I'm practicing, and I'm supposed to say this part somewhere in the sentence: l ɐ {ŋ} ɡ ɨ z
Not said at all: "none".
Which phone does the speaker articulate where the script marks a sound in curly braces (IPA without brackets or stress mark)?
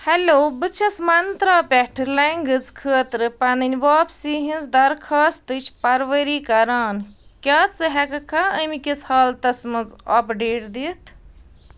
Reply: ŋ